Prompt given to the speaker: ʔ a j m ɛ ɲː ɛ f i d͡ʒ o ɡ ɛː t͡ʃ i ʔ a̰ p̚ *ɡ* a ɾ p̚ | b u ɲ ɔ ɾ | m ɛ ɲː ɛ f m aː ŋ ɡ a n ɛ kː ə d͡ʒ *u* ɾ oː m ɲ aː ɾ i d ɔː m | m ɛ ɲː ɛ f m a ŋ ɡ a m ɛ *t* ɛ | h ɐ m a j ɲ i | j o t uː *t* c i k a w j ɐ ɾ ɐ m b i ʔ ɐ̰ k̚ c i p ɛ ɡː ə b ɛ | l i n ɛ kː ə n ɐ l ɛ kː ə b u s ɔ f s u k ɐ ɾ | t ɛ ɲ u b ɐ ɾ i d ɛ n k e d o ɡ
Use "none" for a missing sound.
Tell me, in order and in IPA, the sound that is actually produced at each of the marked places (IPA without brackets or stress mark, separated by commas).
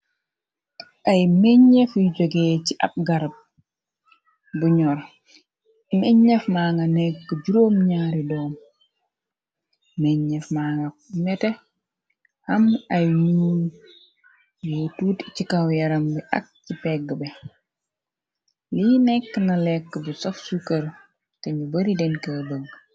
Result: ɡ, u, t, t